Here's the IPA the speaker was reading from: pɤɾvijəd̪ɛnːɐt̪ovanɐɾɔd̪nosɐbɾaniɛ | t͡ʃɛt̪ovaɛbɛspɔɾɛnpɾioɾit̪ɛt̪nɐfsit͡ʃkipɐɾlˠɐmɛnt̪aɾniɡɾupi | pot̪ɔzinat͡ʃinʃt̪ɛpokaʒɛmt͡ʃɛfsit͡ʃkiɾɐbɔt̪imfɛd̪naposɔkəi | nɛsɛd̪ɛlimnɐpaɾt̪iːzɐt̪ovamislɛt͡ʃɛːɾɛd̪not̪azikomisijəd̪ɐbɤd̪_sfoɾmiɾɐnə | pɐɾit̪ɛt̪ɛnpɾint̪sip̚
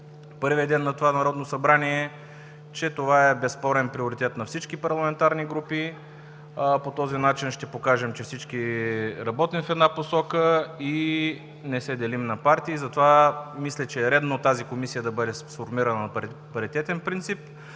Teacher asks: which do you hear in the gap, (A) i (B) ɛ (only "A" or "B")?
B